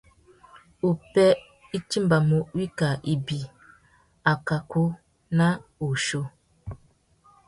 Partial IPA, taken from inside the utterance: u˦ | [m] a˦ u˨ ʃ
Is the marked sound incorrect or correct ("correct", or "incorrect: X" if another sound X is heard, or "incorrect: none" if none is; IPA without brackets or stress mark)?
incorrect: n